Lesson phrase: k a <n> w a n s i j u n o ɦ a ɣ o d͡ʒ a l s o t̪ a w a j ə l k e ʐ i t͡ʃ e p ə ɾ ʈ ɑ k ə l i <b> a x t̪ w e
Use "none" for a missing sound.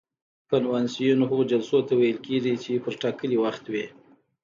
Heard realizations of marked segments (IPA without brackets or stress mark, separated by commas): n, w